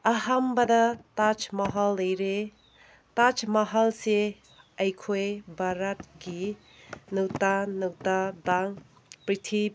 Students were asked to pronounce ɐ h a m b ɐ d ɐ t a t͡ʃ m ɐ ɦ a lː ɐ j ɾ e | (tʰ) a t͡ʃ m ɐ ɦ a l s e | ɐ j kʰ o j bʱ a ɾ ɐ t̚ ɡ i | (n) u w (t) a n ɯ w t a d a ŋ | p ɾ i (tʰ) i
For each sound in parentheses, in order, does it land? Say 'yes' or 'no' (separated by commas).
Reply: no, yes, yes, yes